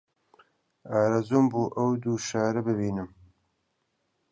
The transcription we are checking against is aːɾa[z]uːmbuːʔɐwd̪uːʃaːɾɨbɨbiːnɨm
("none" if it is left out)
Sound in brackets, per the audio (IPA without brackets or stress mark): z